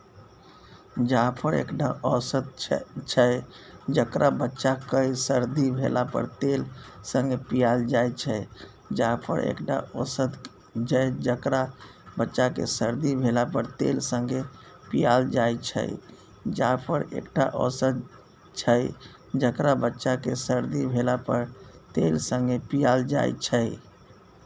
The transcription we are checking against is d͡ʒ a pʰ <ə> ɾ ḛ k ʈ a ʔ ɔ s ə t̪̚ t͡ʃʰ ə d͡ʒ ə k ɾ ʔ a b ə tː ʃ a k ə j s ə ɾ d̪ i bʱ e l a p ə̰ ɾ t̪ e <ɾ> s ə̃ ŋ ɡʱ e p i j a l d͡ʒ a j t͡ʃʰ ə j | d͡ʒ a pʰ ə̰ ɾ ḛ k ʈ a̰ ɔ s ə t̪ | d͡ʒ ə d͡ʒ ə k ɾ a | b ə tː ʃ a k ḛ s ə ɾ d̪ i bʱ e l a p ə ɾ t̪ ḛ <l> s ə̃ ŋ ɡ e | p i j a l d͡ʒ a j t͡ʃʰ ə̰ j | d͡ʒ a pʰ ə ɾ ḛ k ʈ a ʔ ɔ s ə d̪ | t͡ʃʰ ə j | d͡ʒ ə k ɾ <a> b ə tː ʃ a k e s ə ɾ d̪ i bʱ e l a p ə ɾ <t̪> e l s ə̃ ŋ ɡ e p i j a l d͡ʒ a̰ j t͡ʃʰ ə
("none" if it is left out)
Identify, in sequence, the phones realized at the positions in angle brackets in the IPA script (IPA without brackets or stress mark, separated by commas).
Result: ə, l, l, a, t̪